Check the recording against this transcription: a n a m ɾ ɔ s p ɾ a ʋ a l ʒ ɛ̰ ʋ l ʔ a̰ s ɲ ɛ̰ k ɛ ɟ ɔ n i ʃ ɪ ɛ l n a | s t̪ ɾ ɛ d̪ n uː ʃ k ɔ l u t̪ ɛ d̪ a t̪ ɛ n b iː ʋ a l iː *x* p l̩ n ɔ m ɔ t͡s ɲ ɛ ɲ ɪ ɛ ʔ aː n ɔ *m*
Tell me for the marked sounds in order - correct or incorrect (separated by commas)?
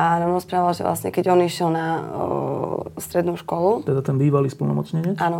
incorrect, incorrect